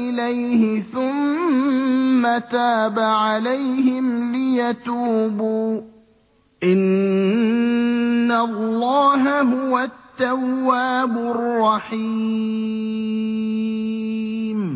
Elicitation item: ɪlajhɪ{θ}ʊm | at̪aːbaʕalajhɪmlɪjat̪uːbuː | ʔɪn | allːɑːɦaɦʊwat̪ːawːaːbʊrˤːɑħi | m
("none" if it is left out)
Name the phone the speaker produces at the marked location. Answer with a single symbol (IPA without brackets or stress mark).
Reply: θ